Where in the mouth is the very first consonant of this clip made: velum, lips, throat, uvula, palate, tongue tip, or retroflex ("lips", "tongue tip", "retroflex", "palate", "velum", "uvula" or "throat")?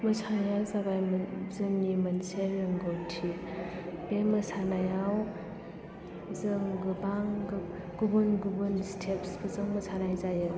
lips